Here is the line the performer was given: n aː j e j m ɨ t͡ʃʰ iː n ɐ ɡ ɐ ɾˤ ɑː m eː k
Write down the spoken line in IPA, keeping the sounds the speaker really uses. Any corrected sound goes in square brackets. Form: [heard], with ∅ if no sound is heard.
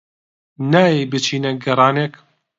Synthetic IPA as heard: n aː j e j [b] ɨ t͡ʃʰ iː n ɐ ɡ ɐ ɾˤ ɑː [n] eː k